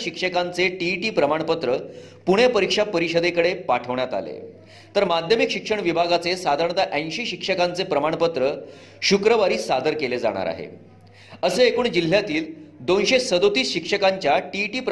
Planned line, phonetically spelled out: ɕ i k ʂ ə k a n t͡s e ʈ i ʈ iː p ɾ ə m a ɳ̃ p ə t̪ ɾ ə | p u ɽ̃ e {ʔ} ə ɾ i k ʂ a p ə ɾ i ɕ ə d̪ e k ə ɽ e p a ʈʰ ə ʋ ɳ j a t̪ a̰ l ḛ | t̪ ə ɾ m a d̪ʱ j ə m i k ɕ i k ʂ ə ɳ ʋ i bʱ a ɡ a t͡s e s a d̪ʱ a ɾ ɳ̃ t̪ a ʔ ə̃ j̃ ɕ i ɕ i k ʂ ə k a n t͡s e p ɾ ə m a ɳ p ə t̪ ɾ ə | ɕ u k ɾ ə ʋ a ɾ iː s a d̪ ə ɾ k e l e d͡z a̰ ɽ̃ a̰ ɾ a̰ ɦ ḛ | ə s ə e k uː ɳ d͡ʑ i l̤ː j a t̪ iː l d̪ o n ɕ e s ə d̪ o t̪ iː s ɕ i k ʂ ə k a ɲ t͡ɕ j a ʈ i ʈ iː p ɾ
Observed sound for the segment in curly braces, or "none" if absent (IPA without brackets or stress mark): p